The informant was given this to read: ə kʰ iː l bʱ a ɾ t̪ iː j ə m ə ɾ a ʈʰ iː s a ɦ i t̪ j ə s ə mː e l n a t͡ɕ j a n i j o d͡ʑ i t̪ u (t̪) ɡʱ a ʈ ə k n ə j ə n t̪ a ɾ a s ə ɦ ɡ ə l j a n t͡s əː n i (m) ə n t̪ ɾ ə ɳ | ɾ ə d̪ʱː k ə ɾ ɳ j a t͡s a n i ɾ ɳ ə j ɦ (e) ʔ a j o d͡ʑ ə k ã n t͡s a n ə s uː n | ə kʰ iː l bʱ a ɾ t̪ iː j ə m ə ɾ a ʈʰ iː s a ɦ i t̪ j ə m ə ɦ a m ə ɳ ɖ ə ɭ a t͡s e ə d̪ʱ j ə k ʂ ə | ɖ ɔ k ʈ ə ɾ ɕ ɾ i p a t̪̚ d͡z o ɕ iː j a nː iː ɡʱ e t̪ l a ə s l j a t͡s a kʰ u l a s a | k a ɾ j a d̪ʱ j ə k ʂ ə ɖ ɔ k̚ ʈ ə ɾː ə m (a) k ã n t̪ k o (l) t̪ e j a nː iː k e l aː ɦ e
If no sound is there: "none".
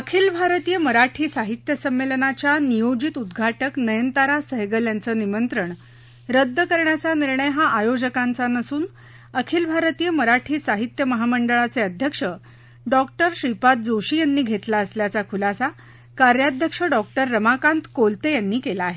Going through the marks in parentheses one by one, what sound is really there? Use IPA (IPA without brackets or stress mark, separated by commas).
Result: d̪, m, a, a, l